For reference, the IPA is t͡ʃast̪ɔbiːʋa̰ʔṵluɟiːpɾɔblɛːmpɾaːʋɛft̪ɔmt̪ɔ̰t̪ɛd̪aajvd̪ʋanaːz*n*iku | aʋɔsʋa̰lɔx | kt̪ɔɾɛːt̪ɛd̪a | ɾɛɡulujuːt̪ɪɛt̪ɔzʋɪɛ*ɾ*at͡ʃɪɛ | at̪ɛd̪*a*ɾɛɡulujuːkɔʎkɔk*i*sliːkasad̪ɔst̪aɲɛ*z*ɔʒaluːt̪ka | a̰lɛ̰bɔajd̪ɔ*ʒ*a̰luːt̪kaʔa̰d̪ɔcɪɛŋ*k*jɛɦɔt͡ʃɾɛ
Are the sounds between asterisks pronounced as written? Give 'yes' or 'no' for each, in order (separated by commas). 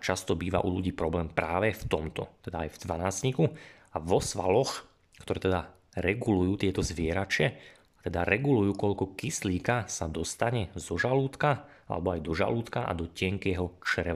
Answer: no, yes, yes, yes, yes, yes, yes